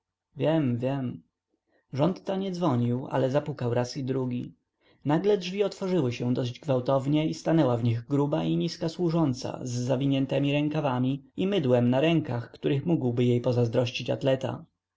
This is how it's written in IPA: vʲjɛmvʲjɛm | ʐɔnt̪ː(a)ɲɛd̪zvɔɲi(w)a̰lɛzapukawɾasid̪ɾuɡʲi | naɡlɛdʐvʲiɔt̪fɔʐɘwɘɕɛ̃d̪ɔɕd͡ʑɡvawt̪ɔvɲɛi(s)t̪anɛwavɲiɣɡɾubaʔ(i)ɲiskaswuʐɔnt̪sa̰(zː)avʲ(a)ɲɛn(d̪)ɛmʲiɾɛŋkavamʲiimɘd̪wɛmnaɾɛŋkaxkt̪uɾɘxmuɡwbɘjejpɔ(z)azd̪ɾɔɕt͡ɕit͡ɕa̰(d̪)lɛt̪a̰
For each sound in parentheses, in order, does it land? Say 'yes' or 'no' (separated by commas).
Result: yes, yes, yes, yes, yes, no, no, yes, no